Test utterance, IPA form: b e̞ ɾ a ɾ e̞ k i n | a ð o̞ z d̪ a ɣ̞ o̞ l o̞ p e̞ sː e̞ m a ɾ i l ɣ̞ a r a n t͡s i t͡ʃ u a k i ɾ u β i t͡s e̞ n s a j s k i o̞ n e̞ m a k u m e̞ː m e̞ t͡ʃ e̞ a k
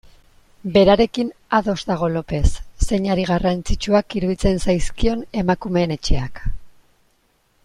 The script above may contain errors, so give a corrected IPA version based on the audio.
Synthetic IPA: b e̞ ɾ a ɾ e̞ k i n | a ð o̞ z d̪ a ɣ̞ o̞ l o̞ p e̞ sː e̞ ɲ a ɾ i ɣ̞ a r a n t͡s i t͡ʃ u a k i ɾ u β i t͡s e̞ n s a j s k i o̞ n e̞ m a k u m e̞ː n e̞ t͡ʃ e̞ a k